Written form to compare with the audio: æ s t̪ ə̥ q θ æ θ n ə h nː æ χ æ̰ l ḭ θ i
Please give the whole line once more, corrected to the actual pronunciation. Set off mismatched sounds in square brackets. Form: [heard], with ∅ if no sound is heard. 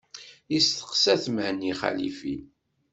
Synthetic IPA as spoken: [i] s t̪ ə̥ q [s] æ θ [m] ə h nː [i] χ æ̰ l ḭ [f] i